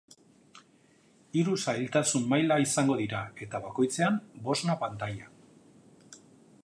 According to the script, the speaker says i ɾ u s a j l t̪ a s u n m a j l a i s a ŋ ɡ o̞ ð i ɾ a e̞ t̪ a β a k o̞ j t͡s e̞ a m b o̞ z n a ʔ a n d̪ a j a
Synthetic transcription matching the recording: i ɾ u s a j l t̪ a s u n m a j l a i s a ŋ ɡ o̞ ð i ɾ a e̞ t̪ a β a k o̞ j t͡s e̞ a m b o̞ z n a p a n t̪ a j a

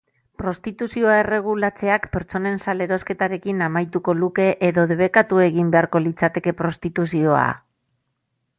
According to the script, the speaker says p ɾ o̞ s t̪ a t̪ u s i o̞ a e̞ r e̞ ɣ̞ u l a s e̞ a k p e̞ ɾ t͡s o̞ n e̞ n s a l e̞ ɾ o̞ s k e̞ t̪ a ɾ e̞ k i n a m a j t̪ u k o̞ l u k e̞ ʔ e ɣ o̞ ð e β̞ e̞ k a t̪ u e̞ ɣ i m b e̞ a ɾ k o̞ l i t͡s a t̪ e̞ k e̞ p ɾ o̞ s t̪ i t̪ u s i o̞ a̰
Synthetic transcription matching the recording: p ɾ o̞ s t̪ i t̪ u s i o̞ a e̞ r e̞ ɣ̞ u l a t͡s e̞ a k p e̞ ɾ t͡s o̞ n e̞ n s a l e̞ ɾ o̞ s k e̞ t̪ a ɾ e̞ k i n a m a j t̪ u k o̞ l u k e̞ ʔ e ð o̞ ð e β̞ e̞ k a t̪ u e̞ ɣ i m b e̞ a ɾ k o̞ l i t͡s a t̪ e̞ k e̞ p ɾ o̞ s t̪ i t̪ u s i o̞ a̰

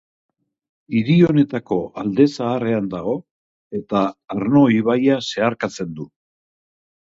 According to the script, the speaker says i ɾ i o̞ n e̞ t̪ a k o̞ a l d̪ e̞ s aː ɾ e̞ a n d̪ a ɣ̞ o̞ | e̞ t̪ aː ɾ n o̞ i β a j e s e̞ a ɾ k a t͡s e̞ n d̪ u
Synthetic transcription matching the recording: i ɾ i o̞ n e̞ t̪ a k o̞ a l d̪ e̞ s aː r e̞ a n d̪ a ɣ̞ o̞ | e̞ t̪ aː ɾ n o̞ i β a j a s e̞ a ɾ k a t͡s e̞ n d̪ u

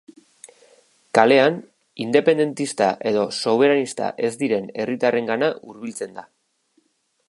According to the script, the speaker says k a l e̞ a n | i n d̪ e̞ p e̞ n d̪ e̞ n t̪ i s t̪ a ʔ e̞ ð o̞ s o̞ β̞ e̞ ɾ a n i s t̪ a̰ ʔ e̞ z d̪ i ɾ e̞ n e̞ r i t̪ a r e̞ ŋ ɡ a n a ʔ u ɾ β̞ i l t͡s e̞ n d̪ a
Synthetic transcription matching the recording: k a l e̞ a n | i n d̪ e̞ p e̞ n d̪ e̞ n t̪ i s t̪ a ʔ e̞ ð o̞ s o̞ β̞ e̞ ɾ a n i s t̪ a̰ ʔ e̞ z d̪ i ɾ e̞ n e̞ r i t̪ a r e̞ ŋ ɡ a n a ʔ u ɾ β̞ i l t͡s e̞ n d̪ a

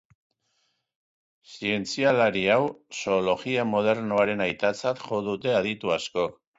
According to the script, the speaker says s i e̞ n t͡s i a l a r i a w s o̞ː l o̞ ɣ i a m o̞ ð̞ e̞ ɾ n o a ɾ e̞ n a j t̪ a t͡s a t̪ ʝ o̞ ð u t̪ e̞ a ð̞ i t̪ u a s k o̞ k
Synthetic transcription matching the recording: s i e̞ n t͡s i a l a ɾ i a w s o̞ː l o̞ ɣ i a m o̞ ð̞ e̞ ɾ n o a ɾ e̞ n a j t̪ a t͡s a t̪ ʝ o̞ ð u t̪ e̞ a ð̞ i t̪ u a s k o̞ k

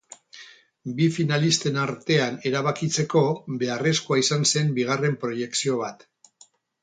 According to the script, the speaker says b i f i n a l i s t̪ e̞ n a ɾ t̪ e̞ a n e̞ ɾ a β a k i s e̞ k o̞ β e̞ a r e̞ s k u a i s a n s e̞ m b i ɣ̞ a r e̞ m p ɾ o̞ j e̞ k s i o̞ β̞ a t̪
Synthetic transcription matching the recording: b i f i n a l i s t̪ e̞ n a ɾ t̪ e̞ a n e̞ ɾ a β a k i t͡s e̞ k o̞ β e̞ a r e̞ s k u a i s a n s e̞ m b i ɣ̞ a r e̞ m p ɾ o̞ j e̞ k s i o̞ β̞ a t̪

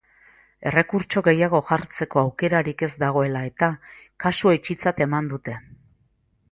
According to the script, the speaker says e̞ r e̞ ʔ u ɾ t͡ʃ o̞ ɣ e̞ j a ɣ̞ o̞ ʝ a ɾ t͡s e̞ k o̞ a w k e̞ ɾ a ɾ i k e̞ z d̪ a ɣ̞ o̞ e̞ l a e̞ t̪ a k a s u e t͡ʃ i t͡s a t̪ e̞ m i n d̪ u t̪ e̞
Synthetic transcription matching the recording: e̞ r e̞ k u ɾ t͡ʃ o̞ ɣ e̞ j a ɣ̞ o̞ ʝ a ɾ t͡s e̞ k o̞ a w k e̞ ɾ a ɾ i k e̞ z d̪ a ɣ̞ o̞ e̞ l a e̞ t̪ a k a s u e t͡ʃ i t͡s a t̪ e̞ m a n d̪ u t̪ e̞

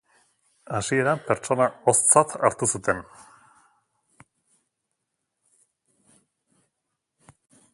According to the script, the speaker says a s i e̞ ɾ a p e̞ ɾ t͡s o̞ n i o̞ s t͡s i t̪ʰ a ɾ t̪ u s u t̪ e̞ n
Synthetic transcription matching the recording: a s i e̞ ɾ a p e̞ ɾ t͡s o̞ n a o̞ s t͡s a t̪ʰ a ɾ t̪ u s u t̪ e̞ n

